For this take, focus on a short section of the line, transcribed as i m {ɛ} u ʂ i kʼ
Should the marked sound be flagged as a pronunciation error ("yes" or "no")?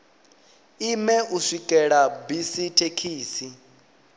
no